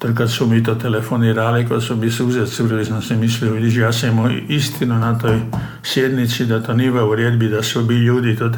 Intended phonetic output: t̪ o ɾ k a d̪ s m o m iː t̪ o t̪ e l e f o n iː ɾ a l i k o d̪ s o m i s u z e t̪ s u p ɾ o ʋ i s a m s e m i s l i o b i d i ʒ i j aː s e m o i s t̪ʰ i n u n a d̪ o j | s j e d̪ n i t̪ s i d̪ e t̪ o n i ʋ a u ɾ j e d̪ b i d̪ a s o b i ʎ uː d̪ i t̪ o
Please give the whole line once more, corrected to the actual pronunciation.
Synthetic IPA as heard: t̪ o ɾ k a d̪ s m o m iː t̪ o t̪ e l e f o n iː ɾ a l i k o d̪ s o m i s u z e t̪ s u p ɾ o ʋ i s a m s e m i s l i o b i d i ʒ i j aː s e m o i s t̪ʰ i n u n a t̪ o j | s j e d̪ n i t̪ s i d̪ a t̪ o n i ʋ a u ɾ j e d̪ b i d̪ a s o b i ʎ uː d̪ i t̪ o